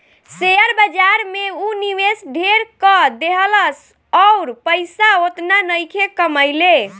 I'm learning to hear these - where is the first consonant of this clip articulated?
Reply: tongue tip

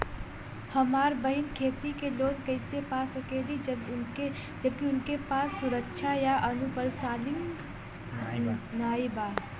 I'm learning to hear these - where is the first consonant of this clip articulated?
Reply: throat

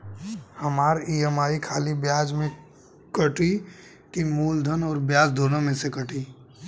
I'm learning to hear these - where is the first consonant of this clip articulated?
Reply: throat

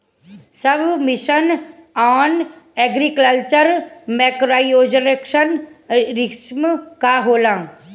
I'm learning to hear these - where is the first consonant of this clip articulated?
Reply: tongue tip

